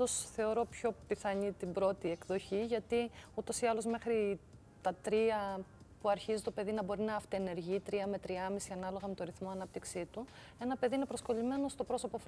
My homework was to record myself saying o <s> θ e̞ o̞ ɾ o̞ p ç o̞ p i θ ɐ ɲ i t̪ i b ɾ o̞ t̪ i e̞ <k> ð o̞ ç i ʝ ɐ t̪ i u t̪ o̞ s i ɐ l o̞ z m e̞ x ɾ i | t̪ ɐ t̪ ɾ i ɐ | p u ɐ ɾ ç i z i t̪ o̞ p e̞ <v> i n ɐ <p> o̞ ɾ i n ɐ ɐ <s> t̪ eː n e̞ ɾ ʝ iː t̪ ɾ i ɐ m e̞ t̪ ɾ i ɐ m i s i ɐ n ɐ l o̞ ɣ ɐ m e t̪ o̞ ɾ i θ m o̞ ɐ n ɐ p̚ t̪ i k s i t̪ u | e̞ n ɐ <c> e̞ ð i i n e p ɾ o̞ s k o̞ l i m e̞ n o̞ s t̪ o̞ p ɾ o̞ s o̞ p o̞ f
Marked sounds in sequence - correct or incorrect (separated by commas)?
correct, correct, incorrect, incorrect, incorrect, incorrect